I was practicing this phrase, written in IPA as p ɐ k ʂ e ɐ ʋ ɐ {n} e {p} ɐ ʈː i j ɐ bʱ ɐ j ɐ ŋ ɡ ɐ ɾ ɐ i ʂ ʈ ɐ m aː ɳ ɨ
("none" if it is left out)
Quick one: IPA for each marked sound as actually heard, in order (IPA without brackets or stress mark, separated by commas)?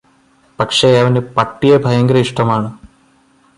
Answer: n, p